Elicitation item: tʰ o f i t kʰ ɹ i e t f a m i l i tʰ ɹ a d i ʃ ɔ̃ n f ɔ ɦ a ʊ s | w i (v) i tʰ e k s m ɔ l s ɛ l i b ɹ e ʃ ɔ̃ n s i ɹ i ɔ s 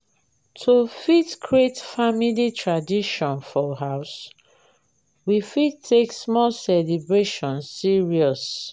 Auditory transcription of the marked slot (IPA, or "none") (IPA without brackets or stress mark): f